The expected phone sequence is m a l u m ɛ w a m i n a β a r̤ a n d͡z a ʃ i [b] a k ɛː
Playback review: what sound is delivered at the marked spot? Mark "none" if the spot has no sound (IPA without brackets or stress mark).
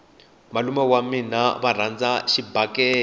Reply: b